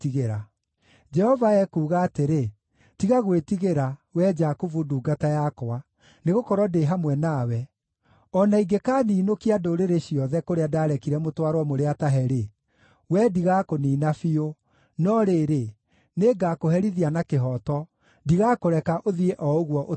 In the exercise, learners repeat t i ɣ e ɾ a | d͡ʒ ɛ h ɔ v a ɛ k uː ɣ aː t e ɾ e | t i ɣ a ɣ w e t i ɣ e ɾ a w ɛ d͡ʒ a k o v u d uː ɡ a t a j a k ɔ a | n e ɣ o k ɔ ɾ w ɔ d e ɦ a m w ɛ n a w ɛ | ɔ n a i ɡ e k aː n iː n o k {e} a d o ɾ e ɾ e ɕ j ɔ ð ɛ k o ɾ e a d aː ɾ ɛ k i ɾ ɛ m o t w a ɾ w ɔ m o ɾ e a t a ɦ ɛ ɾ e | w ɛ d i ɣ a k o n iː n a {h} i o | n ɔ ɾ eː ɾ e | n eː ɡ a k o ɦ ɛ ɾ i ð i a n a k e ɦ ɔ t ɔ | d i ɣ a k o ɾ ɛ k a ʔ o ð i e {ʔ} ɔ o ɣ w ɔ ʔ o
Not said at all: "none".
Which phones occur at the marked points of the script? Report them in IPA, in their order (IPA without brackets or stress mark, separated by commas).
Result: i, f, ʔ